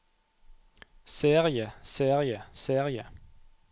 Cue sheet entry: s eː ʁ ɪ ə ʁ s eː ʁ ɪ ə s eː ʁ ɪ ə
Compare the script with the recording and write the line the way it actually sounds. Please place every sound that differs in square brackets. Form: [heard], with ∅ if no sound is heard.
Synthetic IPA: s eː ʁ ɪ ə [∅] s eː ʁ ɪ ə s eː ʁ ɪ ə